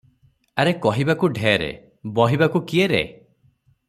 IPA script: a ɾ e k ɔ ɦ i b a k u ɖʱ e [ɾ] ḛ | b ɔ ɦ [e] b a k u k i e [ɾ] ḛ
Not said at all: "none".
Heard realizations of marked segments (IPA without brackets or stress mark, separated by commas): ɾ, i, ɾ